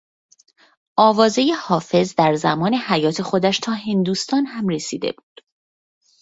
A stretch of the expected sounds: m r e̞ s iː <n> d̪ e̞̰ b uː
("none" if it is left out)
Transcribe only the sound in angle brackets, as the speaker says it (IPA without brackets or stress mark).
none